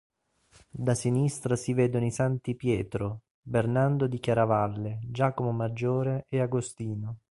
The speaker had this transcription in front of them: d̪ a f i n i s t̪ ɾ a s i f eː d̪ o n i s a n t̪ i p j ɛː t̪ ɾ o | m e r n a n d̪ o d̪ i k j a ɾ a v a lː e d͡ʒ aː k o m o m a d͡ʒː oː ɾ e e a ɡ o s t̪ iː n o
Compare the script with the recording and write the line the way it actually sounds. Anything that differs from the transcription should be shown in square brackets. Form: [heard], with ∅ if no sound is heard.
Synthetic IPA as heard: d̪ a [s] i n i s t̪ ɾ a s i [v] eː d̪ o n i s a n t̪ i p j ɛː t̪ ɾ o | [b] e r n a n d̪ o d̪ i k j a ɾ a v a lː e d͡ʒ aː k o m o m a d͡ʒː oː ɾ e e a ɡ o s t̪ iː n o